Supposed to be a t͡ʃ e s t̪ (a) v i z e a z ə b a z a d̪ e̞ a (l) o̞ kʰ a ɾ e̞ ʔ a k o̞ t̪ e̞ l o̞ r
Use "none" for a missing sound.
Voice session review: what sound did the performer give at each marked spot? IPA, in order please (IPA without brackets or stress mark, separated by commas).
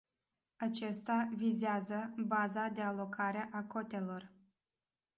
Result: a, l